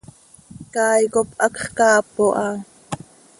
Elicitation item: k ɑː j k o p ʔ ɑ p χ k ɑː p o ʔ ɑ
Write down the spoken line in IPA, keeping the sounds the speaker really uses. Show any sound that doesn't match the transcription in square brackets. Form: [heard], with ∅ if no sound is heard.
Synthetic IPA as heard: k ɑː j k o p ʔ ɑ [k] χ k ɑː p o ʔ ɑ